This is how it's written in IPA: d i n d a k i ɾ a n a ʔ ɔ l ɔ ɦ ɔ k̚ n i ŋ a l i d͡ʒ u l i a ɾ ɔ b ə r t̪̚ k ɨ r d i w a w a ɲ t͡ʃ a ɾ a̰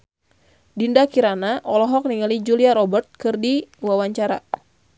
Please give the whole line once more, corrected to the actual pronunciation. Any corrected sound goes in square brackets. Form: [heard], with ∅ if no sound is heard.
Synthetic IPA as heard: d i n d a k i ɾ a n a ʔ ɔ l ɔ ɦ ɔ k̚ n i ŋ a l i d͡ʒ u l i a ɾ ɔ b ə r t̪̚ k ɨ r d i w a w a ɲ t͡ʃ a ɾ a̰